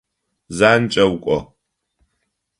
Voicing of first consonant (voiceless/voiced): voiced